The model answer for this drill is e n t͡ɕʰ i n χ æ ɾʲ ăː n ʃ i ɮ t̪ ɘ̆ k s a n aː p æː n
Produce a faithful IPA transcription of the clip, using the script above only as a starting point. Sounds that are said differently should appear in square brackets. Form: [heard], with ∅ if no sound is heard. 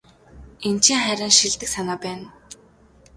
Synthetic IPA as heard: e n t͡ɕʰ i [ŋ] χ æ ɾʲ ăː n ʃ i ɮ t̪ ɘ̆ k s a n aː p æː n